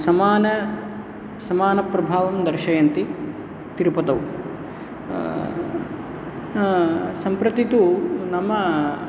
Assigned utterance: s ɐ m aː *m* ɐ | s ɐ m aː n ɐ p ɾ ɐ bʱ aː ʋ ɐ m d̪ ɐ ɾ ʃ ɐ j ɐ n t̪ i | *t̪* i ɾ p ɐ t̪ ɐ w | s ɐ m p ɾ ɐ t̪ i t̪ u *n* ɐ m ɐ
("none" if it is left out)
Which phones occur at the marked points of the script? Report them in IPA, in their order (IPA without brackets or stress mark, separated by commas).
n, t̪, n